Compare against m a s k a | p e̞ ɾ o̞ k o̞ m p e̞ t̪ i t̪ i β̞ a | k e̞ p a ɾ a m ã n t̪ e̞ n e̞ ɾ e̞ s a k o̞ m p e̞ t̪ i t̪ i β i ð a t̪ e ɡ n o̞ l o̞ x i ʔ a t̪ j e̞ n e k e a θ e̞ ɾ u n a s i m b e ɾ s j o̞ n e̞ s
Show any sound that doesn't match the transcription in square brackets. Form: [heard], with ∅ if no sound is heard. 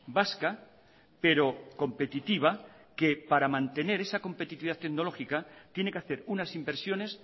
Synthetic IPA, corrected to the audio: [b] a s k a | p e̞ ɾ o̞ k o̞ m p e̞ t̪ i t̪ i β̞ a | k e̞ p a ɾ a m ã n t̪ e̞ n e̞ ɾ e̞ s a k o̞ m p e̞ t̪ i t̪ i β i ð a t̪ e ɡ n o̞ l o̞ x i [k] a t̪ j e̞ n e k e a θ e̞ ɾ u n a s i m b e ɾ s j o̞ n e̞ s